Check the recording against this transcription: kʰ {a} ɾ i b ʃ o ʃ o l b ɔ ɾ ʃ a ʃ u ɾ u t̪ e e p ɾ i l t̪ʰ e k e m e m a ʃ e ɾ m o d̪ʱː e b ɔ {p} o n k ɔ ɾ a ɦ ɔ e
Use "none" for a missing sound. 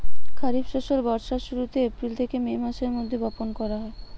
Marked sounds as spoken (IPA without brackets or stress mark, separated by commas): a, p